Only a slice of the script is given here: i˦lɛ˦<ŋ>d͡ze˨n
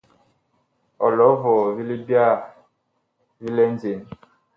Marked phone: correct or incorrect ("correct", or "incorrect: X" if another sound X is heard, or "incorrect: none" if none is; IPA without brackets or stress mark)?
incorrect: n